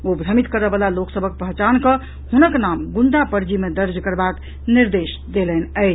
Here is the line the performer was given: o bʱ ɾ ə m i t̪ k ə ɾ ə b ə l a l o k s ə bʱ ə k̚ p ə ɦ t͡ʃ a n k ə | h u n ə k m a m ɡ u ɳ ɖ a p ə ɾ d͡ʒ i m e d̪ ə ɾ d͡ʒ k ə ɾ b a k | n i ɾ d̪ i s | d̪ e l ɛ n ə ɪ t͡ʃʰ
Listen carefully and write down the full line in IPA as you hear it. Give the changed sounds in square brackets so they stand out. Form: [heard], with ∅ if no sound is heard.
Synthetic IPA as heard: o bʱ ɾ ə m i t̪ k ə ɾ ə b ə l a l o k s ə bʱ ə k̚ p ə ɦ t͡ʃ a n k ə | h u n ə k [n] a m ɡ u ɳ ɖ a p ə ɾ d͡ʒ i m e d̪ ə ɾ d͡ʒ k ə ɾ b a k | n i ɾ d̪ [e] s | d̪ e l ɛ n ə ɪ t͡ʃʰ